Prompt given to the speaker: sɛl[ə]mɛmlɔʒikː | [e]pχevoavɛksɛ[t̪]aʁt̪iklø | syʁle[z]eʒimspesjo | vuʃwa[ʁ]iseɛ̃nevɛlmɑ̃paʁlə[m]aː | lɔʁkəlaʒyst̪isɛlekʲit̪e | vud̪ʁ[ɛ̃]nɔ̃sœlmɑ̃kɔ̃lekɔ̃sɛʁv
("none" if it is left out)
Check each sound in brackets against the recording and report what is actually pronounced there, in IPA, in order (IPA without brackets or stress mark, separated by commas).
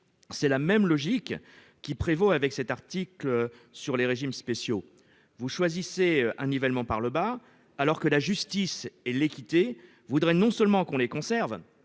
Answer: a, i, t̪, ʁ, z, b, ɛ